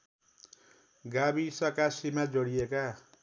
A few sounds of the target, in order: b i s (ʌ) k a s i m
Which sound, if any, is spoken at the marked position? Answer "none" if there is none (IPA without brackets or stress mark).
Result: ʌ